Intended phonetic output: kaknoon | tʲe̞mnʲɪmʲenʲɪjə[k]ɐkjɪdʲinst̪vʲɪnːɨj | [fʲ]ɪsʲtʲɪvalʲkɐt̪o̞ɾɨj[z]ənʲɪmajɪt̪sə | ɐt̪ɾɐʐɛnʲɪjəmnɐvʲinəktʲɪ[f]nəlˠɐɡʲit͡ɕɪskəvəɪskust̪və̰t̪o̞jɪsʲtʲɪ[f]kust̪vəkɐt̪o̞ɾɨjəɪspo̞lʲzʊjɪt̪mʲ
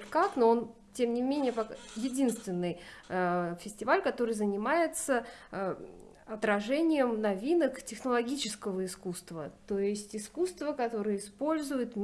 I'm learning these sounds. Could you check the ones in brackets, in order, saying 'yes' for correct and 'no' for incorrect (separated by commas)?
no, yes, yes, no, no